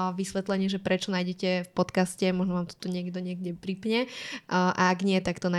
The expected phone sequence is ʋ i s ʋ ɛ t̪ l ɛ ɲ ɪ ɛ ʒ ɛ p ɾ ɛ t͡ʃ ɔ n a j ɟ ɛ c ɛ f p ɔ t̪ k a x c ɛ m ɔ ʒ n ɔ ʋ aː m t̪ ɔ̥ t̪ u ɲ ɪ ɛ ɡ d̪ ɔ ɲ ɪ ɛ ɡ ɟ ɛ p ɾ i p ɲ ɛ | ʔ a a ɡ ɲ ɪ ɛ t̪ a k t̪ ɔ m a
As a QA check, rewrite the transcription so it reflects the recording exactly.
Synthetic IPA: ʋ i s ʋ ɛ t̪ l ɛ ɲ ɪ ɛ ʒ ɛ p ɾ ɛ t͡ʃ ɔ n a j ɟ ɛ c ɛ f p ɔ t̪ k a s c ɛ m ɔ ʒ n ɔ ʋ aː m t̪ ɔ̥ t̪ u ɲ ɪ ɛ ɡ d̪ ɔ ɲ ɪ ɛ ɡ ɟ ɛ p ɾ i p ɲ ɛ | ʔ a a ɡ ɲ ɪ ɛ t̪ a k t̪ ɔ n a